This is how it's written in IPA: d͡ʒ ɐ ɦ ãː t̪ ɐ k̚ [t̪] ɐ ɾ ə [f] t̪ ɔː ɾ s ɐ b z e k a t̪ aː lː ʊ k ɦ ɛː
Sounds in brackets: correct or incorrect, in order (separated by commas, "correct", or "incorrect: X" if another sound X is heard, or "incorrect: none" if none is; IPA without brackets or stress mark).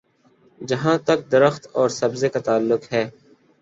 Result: incorrect: d̪, incorrect: x